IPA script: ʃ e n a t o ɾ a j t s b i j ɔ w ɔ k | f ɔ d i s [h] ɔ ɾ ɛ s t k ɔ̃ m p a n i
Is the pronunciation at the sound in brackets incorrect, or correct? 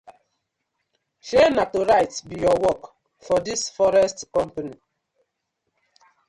incorrect: f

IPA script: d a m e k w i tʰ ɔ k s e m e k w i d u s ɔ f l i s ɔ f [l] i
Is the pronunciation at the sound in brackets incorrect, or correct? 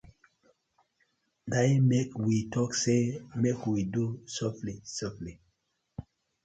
correct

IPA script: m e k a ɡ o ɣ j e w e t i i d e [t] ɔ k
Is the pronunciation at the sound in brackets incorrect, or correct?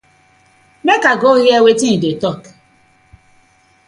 correct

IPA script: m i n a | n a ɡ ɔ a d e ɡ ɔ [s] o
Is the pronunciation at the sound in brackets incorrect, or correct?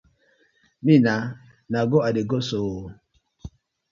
correct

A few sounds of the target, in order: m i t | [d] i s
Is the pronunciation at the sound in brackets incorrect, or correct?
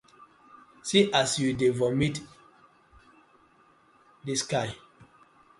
correct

